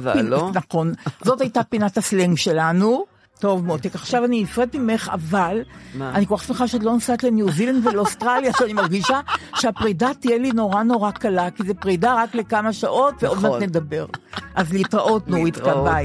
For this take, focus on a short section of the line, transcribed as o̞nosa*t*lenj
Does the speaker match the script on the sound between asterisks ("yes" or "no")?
yes